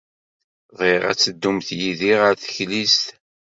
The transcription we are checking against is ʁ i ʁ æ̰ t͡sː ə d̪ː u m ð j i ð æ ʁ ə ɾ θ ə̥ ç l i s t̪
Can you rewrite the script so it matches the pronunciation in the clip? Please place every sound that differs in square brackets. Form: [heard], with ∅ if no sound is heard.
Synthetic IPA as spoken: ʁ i ʁ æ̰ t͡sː ə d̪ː u m [θ] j i ð [i] ʁ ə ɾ θ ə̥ ç l i s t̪